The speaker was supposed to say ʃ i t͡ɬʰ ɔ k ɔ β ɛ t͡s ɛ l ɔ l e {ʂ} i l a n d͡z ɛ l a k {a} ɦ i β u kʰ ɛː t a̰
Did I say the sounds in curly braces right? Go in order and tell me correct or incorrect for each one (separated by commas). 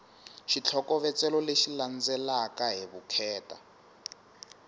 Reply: incorrect, correct